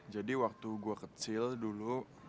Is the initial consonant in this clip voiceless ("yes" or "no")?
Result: no